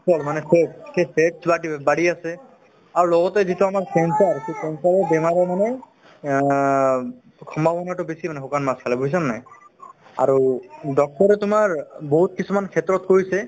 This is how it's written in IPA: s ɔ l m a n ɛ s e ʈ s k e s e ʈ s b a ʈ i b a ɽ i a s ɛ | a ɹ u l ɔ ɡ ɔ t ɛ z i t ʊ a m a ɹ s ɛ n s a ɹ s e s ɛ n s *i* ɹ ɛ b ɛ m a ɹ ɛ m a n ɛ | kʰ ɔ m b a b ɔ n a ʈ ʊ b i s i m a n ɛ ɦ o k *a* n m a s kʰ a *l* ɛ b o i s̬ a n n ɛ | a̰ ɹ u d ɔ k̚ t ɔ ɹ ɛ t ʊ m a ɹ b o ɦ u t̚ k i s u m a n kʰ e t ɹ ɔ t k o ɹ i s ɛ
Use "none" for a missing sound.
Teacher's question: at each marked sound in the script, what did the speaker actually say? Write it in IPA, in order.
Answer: a, a, l

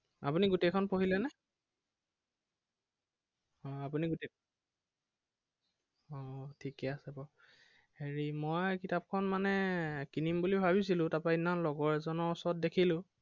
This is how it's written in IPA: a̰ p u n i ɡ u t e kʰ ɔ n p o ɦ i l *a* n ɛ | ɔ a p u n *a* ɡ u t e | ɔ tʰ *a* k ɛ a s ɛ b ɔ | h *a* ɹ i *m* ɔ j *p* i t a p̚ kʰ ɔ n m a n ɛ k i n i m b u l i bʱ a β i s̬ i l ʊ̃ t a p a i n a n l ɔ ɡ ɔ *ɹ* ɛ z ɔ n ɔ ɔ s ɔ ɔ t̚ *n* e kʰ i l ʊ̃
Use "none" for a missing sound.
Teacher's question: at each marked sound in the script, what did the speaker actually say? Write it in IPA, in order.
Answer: ɛ, i, i, e, m, k, ɹ, d

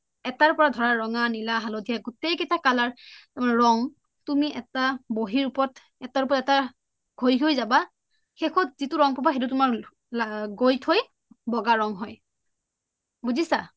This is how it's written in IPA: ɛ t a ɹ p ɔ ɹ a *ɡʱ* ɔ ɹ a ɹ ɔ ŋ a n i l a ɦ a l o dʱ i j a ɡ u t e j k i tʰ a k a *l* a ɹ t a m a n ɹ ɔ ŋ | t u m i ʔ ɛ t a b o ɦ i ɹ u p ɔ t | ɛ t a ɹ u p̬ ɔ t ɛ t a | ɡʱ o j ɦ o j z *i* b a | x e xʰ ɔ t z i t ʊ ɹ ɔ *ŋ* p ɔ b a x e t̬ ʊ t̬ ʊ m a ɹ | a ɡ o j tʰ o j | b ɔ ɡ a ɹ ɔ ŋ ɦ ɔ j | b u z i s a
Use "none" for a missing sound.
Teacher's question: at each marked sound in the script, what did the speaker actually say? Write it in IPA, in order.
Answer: dʱ, l, a, ŋ

